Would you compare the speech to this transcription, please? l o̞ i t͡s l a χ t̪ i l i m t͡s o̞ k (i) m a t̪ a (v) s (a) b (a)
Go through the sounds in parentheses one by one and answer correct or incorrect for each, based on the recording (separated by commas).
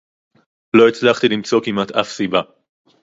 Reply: correct, incorrect, incorrect, correct